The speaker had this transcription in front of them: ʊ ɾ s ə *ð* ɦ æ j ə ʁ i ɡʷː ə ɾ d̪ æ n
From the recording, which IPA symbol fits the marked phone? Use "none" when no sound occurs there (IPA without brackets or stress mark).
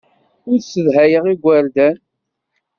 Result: ð